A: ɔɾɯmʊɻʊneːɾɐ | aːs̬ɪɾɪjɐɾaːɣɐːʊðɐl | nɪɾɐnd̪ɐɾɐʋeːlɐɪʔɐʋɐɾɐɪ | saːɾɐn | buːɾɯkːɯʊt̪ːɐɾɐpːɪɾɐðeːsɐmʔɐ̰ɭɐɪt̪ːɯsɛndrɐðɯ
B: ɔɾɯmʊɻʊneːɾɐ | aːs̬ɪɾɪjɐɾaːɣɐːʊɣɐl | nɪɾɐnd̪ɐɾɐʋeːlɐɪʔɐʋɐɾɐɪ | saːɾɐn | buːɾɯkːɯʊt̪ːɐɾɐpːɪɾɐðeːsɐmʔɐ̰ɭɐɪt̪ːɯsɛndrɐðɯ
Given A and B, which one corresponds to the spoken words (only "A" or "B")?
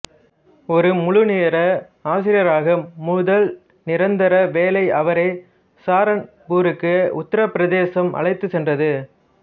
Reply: A